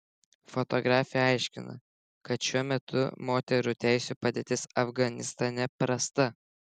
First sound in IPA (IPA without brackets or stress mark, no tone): f